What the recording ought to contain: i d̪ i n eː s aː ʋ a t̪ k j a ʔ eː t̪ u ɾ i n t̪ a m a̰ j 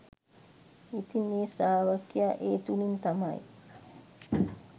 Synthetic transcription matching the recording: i t̪ i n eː s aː ʋ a k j a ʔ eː t̪ u l i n t̪ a m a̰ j